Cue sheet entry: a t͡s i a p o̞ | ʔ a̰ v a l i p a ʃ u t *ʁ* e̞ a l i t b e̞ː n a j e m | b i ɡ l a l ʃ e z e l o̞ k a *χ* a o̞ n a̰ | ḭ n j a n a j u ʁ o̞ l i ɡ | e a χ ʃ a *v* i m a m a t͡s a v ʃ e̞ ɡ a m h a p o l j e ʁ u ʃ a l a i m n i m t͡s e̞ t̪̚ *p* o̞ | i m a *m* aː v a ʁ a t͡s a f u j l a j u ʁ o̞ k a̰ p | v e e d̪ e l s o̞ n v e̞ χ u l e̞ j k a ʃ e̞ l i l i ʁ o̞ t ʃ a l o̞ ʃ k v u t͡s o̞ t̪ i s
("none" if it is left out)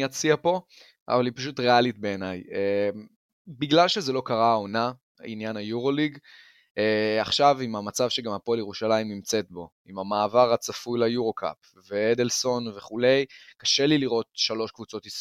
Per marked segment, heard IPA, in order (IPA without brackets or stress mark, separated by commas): ʁ, ʁ, v, b, m